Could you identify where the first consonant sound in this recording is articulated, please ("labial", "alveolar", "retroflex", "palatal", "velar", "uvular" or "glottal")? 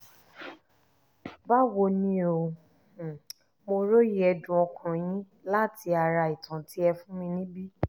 labial